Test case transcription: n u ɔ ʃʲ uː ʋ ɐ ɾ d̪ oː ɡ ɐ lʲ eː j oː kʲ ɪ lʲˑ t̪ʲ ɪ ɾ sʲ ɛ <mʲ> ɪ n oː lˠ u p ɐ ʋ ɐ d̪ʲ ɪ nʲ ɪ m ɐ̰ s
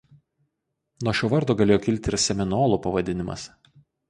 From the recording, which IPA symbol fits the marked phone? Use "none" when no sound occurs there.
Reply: mʲ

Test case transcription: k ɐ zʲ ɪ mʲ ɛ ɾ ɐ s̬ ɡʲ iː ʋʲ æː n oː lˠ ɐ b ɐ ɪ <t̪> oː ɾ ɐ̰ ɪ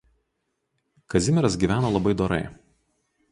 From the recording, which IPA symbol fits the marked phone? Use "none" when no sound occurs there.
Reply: d̪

